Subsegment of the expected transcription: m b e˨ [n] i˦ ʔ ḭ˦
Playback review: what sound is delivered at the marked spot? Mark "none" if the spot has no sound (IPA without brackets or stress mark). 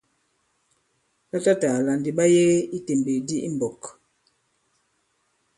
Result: d